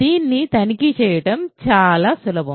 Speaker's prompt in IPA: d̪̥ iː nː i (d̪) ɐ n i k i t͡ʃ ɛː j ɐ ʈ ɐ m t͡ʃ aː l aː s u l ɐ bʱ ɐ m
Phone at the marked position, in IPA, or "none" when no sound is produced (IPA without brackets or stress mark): t̪